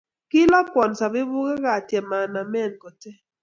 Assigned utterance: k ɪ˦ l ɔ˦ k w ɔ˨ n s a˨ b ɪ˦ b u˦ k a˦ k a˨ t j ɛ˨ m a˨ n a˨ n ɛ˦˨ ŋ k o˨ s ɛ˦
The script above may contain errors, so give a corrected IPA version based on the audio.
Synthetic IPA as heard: k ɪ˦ l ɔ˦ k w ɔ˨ n s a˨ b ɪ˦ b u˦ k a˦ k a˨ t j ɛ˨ m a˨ n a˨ m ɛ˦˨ n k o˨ t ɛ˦